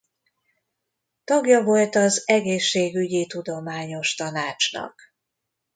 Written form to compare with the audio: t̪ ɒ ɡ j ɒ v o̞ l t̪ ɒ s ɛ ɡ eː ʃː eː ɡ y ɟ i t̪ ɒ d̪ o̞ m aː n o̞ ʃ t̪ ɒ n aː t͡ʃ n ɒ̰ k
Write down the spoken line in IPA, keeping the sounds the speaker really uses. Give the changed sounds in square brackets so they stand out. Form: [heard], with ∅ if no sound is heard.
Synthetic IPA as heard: t̪ ɒ ɡ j ɒ v o̞ l t̪ ɒ [z] ɛ ɡ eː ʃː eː ɡ y ɟ i t̪ [u] d̪ o̞ m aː [ɲ] o̞ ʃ t̪ ɒ n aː t͡ʃ n ɒ̰ k